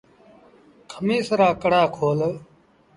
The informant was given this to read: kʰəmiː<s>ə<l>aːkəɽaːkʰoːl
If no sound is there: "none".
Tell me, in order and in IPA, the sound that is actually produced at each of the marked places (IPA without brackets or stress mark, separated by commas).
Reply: s, ɾ